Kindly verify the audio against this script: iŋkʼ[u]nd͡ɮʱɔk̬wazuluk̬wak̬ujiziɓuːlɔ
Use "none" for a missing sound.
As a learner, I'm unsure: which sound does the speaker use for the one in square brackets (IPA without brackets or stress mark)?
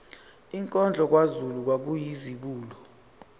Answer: ɔ